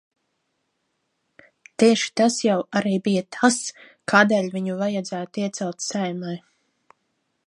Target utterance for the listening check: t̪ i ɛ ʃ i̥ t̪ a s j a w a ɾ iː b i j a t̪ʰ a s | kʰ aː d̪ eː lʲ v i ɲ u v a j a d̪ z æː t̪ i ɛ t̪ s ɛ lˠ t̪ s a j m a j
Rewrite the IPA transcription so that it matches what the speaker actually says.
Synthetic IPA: t̪ i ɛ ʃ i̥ t̪ a s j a w a ɾ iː b i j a t̪ʰ a s | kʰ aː d̪ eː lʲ v i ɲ u v a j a d̪ z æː t̪ i ɛ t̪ s ɛ lˠ t̪ s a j m a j